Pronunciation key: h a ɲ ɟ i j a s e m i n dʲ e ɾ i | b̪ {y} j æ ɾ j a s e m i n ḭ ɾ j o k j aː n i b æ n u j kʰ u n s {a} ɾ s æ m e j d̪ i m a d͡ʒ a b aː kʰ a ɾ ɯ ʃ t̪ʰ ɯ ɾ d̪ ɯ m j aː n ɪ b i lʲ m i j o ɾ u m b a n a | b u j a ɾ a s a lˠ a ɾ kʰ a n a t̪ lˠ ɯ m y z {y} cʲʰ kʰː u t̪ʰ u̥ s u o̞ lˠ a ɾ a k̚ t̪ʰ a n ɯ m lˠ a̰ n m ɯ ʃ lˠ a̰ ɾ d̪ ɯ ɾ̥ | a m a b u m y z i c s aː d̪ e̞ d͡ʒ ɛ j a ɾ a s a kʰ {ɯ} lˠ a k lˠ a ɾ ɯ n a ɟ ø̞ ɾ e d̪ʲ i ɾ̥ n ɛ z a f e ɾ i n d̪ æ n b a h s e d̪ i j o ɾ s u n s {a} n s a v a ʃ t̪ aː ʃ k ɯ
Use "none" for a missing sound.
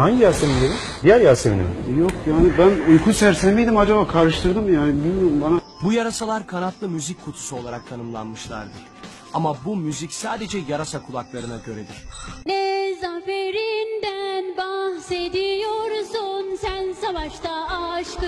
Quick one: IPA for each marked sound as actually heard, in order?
i, æ, i, u, æ

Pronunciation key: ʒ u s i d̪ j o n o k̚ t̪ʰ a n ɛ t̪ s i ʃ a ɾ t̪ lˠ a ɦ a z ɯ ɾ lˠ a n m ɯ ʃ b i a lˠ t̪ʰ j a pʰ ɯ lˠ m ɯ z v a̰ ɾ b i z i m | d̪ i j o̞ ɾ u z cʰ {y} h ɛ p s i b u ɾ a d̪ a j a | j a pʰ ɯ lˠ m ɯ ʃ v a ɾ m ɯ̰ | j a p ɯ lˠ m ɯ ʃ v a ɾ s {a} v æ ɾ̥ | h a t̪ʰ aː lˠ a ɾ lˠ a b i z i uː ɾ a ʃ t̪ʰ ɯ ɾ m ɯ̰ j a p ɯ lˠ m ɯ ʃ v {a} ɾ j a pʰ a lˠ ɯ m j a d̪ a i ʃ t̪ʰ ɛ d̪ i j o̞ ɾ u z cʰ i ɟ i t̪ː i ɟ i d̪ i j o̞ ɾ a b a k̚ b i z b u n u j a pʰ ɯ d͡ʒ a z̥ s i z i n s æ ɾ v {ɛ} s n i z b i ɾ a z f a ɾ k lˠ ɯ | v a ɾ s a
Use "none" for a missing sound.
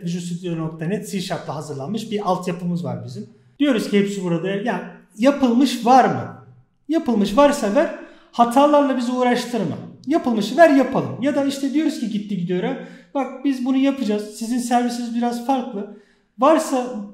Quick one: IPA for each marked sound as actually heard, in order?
i, a, æ, i

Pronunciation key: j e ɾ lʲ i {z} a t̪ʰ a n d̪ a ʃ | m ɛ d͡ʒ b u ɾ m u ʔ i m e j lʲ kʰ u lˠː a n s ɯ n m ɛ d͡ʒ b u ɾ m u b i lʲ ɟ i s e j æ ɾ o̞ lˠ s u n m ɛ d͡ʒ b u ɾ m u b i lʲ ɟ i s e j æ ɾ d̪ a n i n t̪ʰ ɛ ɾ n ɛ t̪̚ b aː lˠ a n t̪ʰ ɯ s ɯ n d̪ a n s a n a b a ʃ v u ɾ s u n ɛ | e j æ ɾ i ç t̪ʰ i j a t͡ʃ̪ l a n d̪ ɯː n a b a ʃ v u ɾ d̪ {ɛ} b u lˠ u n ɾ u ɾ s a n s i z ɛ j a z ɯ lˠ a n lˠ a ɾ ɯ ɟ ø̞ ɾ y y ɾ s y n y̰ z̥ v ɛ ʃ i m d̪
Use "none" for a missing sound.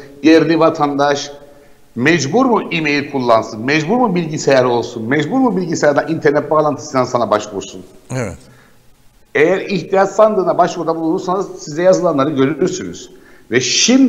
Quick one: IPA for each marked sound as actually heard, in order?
v, a

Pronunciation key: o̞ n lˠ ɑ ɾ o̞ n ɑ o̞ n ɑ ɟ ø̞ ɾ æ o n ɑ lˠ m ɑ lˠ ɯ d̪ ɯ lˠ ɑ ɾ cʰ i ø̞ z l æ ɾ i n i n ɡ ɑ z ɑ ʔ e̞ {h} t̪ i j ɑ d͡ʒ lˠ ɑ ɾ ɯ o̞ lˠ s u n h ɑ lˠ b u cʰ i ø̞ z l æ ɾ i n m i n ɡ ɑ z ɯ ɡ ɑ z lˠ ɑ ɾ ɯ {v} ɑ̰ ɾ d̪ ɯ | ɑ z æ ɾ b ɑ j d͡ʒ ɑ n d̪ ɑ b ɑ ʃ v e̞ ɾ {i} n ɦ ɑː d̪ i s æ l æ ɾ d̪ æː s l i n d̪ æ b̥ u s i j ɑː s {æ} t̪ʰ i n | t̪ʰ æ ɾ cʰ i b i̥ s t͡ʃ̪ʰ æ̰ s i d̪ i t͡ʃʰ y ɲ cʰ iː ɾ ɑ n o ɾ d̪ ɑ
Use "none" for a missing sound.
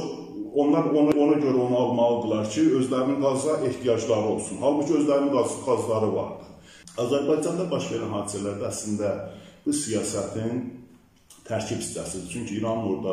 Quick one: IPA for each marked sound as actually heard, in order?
h, v, æ, æ

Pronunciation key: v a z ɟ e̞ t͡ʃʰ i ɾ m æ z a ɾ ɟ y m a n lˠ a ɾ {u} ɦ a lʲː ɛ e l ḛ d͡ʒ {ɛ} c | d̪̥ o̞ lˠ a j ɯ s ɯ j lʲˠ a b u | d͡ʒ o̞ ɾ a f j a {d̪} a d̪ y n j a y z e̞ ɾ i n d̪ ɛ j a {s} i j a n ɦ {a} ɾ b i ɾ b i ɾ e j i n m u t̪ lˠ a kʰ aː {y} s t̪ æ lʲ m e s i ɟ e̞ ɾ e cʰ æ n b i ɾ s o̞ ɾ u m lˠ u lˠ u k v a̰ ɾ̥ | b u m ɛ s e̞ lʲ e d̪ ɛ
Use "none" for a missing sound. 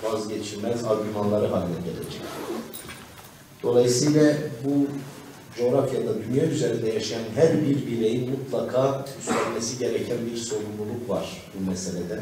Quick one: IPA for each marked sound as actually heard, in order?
ɯ, ɛ, d̪, ʃ, æ, y

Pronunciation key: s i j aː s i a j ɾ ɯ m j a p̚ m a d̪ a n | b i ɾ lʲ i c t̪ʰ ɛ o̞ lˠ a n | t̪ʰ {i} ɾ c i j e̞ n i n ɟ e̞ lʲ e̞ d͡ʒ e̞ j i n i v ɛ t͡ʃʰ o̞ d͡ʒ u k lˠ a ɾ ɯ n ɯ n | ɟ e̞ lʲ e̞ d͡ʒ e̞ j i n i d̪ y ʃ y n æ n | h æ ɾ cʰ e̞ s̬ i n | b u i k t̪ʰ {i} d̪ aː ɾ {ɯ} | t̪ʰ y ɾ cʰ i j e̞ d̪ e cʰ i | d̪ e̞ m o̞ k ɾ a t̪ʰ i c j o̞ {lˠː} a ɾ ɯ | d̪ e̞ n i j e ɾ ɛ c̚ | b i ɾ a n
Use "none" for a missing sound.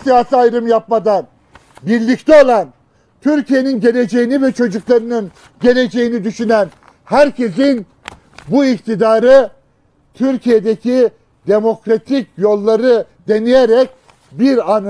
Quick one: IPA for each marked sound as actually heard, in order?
y, i, ɯ, lˠː

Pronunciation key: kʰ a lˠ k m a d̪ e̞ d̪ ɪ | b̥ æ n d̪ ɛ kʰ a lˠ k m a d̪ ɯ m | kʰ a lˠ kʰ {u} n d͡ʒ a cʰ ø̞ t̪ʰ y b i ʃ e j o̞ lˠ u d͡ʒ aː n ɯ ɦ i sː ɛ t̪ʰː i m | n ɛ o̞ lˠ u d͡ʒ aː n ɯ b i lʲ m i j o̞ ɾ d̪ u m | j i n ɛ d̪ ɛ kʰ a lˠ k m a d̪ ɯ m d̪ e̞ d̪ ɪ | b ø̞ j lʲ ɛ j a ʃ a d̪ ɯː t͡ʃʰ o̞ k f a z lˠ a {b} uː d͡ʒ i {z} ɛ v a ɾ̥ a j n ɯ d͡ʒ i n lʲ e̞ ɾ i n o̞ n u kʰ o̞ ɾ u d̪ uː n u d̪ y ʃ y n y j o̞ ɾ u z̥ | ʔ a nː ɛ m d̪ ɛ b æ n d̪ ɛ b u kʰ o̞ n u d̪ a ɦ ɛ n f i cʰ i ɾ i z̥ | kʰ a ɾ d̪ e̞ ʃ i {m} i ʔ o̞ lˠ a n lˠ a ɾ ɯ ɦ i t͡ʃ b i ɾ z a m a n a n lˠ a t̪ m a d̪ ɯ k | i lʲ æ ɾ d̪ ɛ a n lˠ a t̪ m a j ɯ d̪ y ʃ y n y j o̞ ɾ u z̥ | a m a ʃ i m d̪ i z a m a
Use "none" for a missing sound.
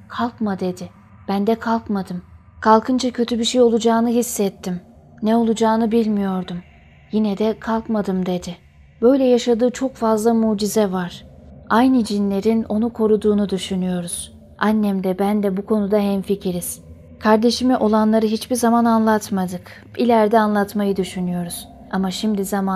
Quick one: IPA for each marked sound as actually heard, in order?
ɯ, m, z, m

